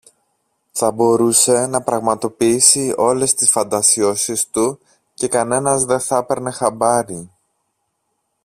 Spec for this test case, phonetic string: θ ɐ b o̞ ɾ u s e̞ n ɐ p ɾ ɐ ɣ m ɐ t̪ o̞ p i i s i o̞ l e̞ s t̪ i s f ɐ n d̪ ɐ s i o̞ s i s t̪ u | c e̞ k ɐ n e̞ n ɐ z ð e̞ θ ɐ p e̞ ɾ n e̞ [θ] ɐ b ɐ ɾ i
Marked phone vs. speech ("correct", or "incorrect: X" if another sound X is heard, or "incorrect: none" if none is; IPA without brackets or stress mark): incorrect: x